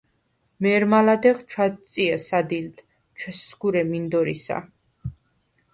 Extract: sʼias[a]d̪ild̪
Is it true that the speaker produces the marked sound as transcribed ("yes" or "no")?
yes